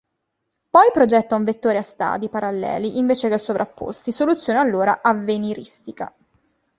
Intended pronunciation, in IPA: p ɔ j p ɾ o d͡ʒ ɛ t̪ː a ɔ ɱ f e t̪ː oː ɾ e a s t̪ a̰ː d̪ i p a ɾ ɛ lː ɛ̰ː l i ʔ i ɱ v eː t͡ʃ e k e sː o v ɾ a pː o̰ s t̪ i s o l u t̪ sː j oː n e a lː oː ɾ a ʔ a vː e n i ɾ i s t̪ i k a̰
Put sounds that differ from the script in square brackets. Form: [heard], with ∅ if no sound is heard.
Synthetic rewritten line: p ɔ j p ɾ o d͡ʒ ɛ t̪ː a [u] ɱ [v] e t̪ː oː ɾ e a s t̪ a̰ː d̪ i p a ɾ [a] lː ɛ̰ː l i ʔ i ɱ v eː t͡ʃ e k e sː o v ɾ a pː o̰ s t̪ i s o l u t̪ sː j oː n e a lː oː ɾ a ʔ a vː e n i ɾ i s t̪ i k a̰